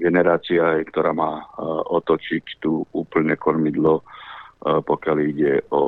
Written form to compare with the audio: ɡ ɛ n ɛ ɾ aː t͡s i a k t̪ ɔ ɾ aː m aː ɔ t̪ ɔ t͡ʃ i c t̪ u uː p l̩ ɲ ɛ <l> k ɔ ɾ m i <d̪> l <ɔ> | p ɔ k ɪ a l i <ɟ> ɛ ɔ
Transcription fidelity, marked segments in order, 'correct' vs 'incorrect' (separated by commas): incorrect, correct, correct, correct